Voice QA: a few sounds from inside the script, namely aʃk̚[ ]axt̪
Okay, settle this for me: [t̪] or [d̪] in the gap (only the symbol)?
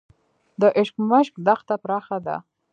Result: d̪